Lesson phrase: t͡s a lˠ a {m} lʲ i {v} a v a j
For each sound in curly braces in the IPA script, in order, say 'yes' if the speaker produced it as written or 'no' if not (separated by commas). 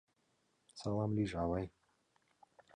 yes, no